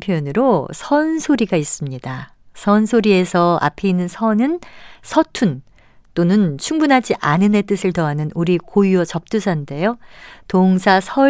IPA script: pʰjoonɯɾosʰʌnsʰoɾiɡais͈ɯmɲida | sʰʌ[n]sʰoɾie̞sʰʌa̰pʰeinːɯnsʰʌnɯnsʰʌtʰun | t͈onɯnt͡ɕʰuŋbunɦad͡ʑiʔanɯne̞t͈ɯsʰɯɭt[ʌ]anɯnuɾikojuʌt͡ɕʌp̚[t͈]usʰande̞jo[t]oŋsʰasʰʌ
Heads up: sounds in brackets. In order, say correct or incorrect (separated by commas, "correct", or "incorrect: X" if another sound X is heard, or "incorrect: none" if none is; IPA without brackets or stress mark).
correct, correct, correct, correct